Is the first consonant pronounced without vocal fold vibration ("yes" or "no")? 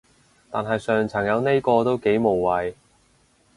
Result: yes